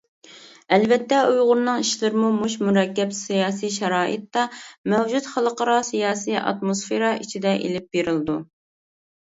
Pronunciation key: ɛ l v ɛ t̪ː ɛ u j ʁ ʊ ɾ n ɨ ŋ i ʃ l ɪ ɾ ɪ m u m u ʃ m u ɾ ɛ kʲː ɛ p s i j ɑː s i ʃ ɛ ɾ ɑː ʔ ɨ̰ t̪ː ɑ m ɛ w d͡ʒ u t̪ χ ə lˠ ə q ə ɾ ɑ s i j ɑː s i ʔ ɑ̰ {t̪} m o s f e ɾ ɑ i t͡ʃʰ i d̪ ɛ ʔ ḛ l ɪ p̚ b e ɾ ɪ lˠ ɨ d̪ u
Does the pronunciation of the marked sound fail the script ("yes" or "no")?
no